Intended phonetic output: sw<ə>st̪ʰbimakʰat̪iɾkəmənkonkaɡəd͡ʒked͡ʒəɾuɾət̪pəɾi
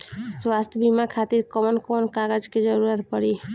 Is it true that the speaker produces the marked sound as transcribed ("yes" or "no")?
no